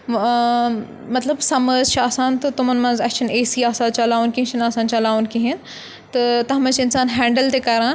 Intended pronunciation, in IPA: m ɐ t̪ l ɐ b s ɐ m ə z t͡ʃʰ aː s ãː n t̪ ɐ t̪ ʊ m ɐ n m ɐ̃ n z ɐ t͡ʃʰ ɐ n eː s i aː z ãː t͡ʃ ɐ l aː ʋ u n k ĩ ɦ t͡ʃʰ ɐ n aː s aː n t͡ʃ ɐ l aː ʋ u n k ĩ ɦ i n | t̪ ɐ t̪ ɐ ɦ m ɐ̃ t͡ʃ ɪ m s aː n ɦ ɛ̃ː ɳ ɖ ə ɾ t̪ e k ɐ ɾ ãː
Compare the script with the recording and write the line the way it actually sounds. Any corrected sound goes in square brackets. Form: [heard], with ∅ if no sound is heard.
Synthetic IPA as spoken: m ɐ t̪ l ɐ b s ɐ m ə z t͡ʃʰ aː s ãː n t̪ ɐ t̪ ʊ m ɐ n m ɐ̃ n z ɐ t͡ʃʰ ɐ n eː s i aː [s] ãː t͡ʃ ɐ l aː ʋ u n k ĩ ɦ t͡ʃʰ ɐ n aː s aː n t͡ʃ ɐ l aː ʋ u n k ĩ ɦ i n | t̪ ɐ t̪ ɐ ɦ m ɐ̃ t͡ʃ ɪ [n] s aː n ɦ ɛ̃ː ɳ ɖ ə [l] t̪ e k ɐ ɾ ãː